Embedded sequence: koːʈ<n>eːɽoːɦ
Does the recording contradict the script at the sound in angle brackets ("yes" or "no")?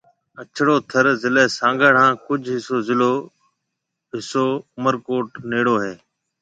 no